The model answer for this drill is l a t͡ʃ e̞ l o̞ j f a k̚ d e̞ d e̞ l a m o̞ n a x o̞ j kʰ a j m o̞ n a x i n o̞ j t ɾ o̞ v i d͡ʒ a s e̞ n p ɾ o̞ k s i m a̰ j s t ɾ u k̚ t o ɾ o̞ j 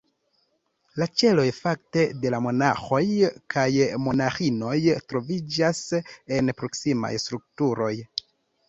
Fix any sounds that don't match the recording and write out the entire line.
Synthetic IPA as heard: l a t͡ʃ e̞ l o̞ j f a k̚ t e̞ d e̞ l a m o̞ n a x o̞ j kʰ a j m o̞ n a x i n o̞ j t ɾ o̞ v i d͡ʒ a s e̞ n p ɾ o̞ k s i m a̰ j s t ɾ u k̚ t u ɾ o̞ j